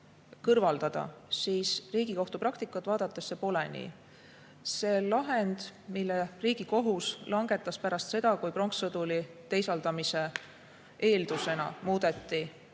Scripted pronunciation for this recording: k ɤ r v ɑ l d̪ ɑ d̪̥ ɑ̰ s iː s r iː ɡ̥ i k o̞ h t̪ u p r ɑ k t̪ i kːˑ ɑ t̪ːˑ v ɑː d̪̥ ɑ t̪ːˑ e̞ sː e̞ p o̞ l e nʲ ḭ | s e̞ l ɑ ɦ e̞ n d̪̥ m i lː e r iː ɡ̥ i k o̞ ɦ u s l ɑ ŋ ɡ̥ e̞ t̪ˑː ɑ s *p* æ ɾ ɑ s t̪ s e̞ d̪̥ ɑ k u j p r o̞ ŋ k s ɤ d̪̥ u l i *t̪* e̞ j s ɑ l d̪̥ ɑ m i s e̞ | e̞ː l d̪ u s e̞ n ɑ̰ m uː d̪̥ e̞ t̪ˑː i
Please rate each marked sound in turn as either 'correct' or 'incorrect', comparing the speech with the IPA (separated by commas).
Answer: correct, correct